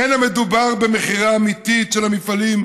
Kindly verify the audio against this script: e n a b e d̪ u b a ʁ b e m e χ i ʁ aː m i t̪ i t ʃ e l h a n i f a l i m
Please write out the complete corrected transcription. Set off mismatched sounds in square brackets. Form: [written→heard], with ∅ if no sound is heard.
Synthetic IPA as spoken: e n a [b→m] e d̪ u b a ʁ b e m e χ i ʁ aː m i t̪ i t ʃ e l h a [n→m] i f a l i m